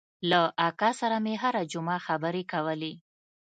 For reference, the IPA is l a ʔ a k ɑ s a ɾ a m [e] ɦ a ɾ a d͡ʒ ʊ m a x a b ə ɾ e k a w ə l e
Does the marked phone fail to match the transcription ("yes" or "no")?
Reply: no